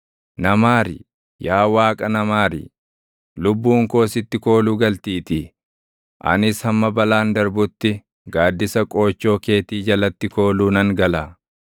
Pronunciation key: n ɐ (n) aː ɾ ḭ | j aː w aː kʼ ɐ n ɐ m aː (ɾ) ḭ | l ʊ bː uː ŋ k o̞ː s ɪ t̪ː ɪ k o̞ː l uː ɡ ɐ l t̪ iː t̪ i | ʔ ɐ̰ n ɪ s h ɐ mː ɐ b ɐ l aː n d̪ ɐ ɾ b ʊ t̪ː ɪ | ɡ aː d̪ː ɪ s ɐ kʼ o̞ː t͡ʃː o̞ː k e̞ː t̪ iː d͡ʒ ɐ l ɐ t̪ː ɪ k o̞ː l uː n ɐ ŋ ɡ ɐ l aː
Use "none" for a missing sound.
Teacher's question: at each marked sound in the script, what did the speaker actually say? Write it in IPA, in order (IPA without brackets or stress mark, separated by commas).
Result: m, ɾ